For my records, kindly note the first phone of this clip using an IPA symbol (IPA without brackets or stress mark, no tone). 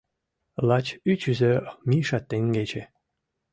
l